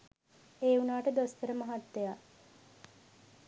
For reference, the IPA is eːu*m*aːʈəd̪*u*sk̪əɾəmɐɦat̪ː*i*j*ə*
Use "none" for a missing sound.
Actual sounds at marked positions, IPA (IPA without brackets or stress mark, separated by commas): n, o, e, a